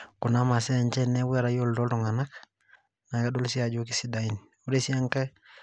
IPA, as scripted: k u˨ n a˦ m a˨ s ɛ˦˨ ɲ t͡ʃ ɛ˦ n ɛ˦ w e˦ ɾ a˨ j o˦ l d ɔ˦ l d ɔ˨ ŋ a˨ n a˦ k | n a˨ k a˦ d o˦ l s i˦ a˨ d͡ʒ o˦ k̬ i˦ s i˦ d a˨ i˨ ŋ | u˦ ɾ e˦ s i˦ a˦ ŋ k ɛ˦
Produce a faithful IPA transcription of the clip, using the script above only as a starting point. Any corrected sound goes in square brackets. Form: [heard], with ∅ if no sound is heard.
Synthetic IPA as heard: k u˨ n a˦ m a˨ s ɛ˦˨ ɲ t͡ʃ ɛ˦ n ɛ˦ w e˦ ɾ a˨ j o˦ l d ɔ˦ l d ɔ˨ ŋ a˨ n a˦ k | n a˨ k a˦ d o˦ l s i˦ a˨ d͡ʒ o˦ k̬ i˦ s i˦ d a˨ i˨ [n] | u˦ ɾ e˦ s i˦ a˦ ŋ k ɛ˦